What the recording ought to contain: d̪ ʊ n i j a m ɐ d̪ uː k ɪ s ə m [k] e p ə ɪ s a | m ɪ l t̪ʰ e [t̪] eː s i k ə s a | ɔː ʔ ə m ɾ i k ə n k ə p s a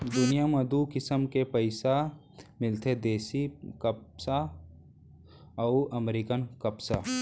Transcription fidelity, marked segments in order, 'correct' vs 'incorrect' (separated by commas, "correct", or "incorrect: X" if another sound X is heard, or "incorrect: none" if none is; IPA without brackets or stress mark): correct, incorrect: d̪